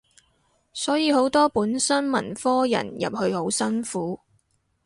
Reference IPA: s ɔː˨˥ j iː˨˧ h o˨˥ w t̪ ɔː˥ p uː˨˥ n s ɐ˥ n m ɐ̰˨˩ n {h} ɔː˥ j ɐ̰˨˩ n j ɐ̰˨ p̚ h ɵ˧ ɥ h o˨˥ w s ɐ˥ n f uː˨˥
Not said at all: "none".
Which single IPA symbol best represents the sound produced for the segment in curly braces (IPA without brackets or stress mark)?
f